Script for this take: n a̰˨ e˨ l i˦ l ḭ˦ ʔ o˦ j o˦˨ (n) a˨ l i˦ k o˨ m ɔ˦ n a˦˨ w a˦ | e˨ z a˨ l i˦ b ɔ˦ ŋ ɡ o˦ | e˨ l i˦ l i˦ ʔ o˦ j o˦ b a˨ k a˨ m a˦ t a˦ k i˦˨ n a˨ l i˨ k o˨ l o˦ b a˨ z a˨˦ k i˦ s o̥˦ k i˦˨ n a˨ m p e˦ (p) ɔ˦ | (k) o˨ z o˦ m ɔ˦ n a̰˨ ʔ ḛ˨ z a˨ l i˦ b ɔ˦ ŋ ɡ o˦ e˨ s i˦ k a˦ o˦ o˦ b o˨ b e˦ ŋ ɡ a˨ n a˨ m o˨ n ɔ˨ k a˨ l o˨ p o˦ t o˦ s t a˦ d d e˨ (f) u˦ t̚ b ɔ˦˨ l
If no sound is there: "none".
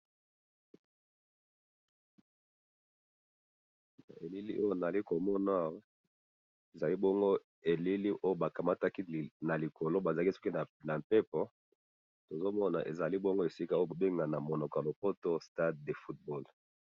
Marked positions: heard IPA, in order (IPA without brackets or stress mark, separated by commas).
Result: n, p, t, f